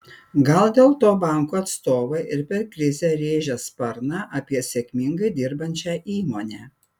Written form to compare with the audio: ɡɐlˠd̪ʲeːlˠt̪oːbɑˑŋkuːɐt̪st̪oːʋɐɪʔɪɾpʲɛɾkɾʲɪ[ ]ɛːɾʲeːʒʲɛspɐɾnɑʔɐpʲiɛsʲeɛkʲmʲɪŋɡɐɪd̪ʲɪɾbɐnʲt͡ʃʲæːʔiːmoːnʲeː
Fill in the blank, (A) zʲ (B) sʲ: A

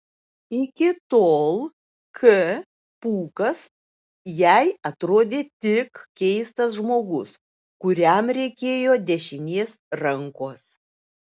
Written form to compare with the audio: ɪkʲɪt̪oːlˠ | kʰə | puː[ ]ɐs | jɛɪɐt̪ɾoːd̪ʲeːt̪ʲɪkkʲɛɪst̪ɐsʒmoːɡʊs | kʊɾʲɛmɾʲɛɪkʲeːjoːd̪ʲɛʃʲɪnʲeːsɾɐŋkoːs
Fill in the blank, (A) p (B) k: B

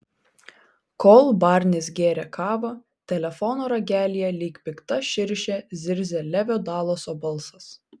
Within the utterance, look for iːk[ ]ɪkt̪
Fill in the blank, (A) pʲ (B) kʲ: A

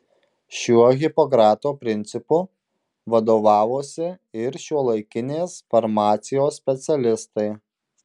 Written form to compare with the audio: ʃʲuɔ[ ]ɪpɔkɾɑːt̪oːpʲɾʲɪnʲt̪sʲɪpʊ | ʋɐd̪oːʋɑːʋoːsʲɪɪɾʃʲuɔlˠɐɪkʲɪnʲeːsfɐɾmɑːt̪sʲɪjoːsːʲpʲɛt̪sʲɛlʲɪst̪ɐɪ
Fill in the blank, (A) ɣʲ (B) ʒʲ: A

